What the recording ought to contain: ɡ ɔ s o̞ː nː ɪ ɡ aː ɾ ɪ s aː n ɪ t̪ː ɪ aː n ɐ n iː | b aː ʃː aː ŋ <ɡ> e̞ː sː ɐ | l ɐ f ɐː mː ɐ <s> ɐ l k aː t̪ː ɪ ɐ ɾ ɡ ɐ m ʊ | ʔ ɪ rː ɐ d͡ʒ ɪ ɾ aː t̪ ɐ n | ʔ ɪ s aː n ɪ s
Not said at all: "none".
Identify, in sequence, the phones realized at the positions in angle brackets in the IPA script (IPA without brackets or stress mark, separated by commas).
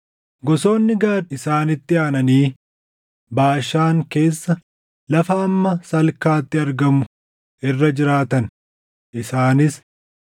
k, s